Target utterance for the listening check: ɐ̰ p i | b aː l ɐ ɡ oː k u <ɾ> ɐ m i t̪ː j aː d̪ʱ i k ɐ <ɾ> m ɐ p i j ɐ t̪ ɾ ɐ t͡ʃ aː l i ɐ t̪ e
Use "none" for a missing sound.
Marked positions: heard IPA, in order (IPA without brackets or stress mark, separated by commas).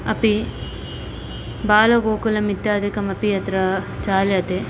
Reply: l, none